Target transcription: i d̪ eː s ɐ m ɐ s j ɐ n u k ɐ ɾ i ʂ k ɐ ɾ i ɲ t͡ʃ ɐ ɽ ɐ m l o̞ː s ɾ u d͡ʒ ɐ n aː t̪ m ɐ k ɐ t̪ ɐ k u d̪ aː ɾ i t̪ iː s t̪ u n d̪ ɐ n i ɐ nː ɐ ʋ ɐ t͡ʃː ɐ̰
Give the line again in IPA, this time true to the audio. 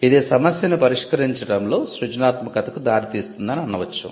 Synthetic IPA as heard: i d̪ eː s ɐ m ɐ s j ɐ n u p ɐ ɾ i ʂ k ɐ ɾ i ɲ t͡ʃ ɐ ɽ ɐ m l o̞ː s ɾ u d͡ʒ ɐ n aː t̪ m ɐ k ɐ t̪ ɐ k u d̪ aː ɾ i t̪ iː s t̪ u n d̪ ɐ n i ɐ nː ɐ ʋ ɐ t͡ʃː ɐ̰